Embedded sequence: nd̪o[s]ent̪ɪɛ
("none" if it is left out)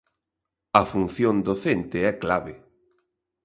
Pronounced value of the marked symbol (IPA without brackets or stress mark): θ